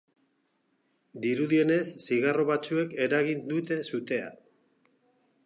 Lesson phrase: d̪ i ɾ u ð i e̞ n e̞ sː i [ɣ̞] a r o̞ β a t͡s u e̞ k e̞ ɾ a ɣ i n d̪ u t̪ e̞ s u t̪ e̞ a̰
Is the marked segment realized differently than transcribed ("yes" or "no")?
no